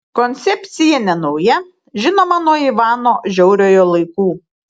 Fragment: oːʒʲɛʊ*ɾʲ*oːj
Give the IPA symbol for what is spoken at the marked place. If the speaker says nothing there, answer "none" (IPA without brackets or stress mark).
ɾʲ